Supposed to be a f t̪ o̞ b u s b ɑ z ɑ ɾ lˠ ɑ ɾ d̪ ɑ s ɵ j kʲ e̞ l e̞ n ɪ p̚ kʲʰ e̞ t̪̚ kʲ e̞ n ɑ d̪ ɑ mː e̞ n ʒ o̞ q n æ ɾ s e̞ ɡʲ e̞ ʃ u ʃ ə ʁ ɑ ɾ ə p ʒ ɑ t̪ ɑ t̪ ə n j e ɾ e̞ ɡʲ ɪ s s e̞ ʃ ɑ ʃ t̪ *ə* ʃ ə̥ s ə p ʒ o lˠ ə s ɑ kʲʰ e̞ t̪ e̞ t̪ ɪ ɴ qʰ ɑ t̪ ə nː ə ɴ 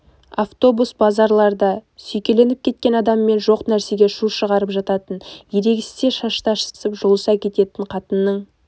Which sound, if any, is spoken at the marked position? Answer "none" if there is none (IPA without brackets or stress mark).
ɑ